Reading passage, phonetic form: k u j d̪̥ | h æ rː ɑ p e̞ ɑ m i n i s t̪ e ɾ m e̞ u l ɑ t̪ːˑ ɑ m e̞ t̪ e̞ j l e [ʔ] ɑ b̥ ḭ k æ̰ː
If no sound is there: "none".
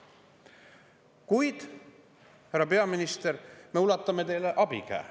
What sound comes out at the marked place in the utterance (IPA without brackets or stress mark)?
ʔ